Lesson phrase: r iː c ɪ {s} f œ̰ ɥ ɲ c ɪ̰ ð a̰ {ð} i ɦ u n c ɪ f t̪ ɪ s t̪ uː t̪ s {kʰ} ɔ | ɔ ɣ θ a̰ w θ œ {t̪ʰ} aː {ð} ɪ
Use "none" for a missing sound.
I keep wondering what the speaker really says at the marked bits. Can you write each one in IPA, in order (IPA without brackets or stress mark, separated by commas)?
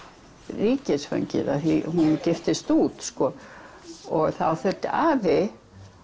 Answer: s, θ, k, t̪, v